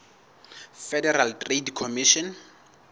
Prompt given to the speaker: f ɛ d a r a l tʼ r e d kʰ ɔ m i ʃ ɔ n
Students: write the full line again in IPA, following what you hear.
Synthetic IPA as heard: f ɛ d ɛ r a l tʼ r e d kʰ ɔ m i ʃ ɔ n

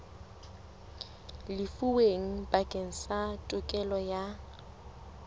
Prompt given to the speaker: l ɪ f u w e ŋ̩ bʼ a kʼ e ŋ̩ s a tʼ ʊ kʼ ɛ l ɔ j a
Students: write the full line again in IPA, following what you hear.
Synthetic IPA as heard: l ɪ f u w e ŋ̩ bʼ a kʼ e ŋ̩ s a tʼ ʊ kʼ ɛ l ɔ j a

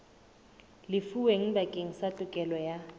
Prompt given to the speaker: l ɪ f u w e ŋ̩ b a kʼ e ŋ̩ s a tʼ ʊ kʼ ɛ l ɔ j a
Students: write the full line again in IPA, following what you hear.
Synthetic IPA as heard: l ɪ f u w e ŋ̩ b a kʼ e ŋ̩ s a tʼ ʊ kʼ ɛ l ɔ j a

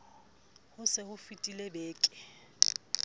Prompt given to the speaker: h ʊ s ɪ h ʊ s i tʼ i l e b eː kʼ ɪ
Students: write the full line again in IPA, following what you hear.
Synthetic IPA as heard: h ʊ s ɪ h ʊ f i tʼ i l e b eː kʼ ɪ

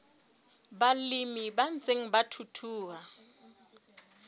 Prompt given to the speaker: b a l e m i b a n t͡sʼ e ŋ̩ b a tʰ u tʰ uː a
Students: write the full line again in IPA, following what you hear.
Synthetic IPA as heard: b a l i m i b a n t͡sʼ e ŋ̩ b a tʰ u tʰ uː a

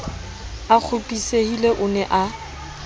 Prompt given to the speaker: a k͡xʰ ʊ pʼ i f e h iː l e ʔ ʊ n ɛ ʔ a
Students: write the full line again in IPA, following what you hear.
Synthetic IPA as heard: a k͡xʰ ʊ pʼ i s e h i l e ʔ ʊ n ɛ ʔ a

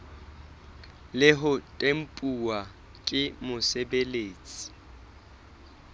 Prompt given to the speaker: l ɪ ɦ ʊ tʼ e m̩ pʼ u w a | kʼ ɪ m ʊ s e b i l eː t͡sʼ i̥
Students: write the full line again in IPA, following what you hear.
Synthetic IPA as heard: l ɪ ɦ ʊ tʼ e m̩ pʼ u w a | kʼ ɪ m ʊ s e b e l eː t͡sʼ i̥

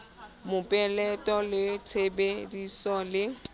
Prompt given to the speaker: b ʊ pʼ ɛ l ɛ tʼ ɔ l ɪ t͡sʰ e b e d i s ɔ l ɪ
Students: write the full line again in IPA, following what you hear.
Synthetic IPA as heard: m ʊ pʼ ɛ l ɛ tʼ ɔ l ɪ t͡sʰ e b e d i s ɔ l ɪ

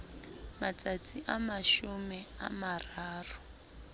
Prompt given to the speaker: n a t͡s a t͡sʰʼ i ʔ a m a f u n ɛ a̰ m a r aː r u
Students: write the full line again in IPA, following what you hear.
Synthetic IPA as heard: m a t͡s a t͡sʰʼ i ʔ a m a ʃ u m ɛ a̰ m a r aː r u

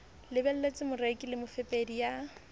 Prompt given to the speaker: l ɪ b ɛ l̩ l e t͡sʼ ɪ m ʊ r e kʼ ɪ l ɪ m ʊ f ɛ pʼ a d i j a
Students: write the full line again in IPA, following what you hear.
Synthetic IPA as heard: l ɪ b ɛ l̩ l e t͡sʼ ɪ m ʊ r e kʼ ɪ l ɪ m ʊ f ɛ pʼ e d i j a

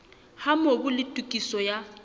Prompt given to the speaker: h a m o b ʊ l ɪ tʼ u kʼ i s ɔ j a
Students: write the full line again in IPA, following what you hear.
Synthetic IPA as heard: h a m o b ʊ l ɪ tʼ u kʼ i s ɔ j a

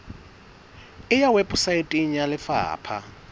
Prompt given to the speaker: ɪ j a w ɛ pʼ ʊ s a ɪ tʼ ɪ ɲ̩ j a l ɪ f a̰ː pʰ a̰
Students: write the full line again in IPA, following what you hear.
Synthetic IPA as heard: ɪ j a w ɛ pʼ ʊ s a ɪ tʼ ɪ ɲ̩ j a l ɪ f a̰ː pʰ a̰

